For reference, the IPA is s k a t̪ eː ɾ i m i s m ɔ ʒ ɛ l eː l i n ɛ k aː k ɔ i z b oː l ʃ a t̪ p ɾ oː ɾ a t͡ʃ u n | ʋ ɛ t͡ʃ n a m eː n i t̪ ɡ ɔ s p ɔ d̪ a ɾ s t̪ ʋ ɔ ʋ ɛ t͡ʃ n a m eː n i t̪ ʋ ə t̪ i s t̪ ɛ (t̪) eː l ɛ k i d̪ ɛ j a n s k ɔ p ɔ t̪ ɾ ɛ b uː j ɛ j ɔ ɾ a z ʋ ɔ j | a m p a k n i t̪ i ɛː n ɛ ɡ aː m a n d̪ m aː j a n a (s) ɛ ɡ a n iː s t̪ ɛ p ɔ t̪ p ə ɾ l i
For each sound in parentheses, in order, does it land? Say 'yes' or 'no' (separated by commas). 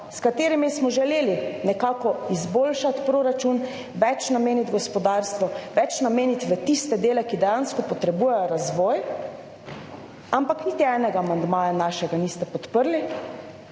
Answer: no, no